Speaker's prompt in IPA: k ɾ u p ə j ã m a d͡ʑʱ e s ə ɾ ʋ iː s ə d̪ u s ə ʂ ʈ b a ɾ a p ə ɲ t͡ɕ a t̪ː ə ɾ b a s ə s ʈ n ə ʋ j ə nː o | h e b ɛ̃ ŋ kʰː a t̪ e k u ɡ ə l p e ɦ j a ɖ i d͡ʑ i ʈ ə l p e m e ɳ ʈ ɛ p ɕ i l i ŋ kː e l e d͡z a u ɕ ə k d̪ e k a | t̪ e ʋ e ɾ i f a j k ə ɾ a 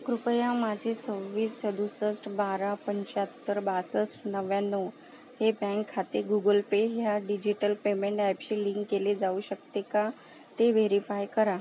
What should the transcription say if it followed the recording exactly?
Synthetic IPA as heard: k ɾ u p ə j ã m a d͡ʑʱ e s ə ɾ ʋ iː s ə d̪ u s ə s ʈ b a ɾ a p ə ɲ t͡ɕ a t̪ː ə ɾ b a s ə s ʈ n ə ʋ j a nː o | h e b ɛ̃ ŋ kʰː a t̪ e ɡ u ɡ ə l p e ɦ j a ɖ i d͡ʑ i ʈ ə l p e m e ɳ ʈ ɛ p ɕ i l i ŋ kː e l e d͡z a u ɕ ə k t̪ e k a | t̪ e ʋ e ɾ i f a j k ə ɾ a